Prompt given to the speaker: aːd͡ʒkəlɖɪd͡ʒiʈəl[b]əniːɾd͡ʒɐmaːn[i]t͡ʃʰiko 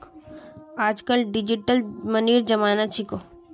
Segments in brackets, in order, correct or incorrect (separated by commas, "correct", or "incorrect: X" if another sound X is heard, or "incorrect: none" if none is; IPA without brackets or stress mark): incorrect: m, incorrect: a